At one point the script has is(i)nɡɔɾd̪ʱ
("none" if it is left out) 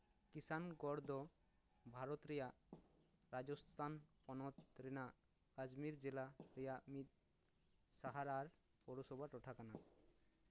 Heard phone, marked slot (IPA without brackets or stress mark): a